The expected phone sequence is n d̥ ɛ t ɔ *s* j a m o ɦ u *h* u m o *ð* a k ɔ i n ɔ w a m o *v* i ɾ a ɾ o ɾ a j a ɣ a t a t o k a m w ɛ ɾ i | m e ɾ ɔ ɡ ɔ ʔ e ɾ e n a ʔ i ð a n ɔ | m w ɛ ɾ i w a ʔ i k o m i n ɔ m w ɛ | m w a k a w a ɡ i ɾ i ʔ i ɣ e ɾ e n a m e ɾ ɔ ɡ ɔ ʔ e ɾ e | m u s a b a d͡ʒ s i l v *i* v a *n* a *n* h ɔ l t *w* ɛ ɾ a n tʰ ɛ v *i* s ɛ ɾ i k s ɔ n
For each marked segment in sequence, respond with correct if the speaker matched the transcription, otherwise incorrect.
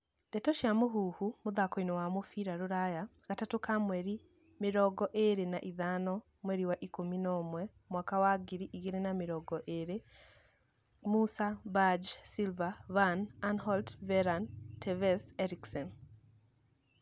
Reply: incorrect: ʃ, correct, correct, incorrect: f, incorrect: a, correct, correct, incorrect: v, incorrect: ɛ

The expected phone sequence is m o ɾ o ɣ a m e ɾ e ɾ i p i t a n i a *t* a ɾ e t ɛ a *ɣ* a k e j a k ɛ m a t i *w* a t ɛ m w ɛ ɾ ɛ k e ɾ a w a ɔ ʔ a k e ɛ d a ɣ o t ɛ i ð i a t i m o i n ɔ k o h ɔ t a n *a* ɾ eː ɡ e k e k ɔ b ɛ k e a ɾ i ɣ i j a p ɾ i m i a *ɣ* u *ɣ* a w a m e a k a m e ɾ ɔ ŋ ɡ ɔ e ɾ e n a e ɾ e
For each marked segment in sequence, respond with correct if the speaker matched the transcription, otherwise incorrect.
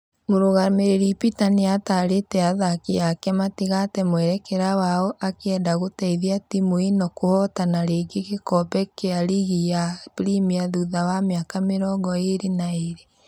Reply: correct, incorrect: ð, incorrect: ɣ, correct, incorrect: ð, incorrect: ð

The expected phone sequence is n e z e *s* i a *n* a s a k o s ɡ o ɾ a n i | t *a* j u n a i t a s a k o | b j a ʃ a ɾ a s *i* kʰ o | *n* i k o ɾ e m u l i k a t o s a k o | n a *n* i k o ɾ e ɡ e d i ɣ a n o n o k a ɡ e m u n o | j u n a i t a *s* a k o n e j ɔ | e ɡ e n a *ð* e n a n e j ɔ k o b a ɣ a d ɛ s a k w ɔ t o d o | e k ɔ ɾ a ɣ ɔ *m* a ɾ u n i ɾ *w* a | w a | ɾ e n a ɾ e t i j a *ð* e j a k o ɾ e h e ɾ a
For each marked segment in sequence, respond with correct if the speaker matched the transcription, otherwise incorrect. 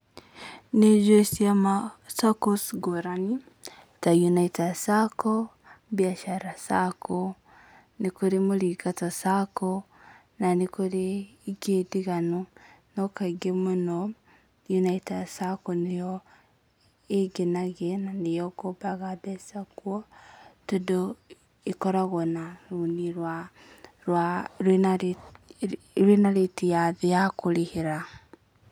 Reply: correct, incorrect: m, correct, incorrect: a, correct, correct, correct, incorrect: ɣ, incorrect: n, correct, correct

